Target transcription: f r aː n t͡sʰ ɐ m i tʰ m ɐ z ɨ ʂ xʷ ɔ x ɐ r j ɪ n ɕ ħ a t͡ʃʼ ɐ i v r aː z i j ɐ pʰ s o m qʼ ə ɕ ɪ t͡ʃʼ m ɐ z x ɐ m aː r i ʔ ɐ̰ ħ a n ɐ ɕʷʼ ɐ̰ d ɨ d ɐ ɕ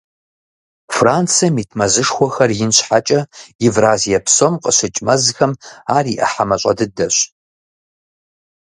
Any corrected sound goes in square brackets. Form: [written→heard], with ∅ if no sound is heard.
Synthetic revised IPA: f r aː n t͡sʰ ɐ m i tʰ m ɐ z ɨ ʂ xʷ ɔ x ɐ r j ɪ n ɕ ħ a t͡ʃʼ ɐ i v r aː z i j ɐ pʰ s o m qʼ ə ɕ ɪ t͡ʃʼ m ɐ z x ɐ m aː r i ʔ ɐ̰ ħ a [n→m] ɐ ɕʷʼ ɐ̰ d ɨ d ɐ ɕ